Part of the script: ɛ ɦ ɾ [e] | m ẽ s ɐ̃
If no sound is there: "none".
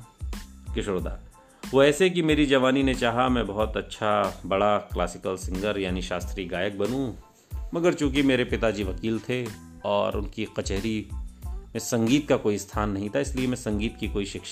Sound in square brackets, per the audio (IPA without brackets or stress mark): i